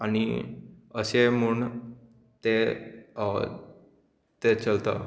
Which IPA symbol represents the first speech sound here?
a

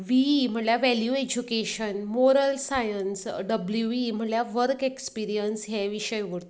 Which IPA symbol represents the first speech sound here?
ʋ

